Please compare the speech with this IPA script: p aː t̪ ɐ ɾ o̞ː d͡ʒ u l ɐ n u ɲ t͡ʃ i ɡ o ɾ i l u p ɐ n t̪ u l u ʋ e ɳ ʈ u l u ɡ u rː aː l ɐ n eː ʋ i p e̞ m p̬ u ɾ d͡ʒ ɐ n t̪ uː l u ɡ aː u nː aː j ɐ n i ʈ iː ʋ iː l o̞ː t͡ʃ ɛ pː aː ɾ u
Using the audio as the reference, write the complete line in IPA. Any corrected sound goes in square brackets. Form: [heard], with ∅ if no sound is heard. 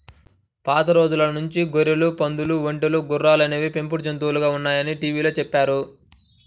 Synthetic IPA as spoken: p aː t̪ ɐ ɾ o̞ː d͡ʒ u l ɐ n u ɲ t͡ʃ i ɡ o ɾ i l u p ɐ n [d̪] u l u ʋ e ɳ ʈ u l u ɡ u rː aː l ɐ n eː ʋ i p e̞ m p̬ u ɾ d͡ʒ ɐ n t̪ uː l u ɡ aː u nː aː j ɐ n i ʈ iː ʋ iː l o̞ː t͡ʃ ɛ pː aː ɾ u